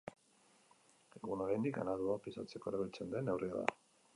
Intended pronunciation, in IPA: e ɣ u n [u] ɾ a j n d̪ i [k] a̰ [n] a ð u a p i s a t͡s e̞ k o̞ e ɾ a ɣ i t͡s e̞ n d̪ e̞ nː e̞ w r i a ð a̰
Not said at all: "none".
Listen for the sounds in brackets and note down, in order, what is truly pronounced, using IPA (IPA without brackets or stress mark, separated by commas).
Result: o, k, n